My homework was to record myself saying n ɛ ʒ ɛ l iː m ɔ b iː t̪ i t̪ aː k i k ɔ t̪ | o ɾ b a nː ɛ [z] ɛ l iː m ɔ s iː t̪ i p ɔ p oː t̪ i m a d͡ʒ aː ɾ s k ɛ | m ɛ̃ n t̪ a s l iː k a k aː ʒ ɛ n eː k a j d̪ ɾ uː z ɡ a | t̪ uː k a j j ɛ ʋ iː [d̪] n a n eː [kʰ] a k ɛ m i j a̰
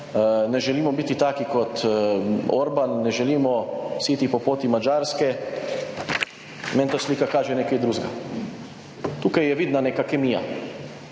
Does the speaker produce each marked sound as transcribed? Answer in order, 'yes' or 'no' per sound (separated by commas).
no, yes, no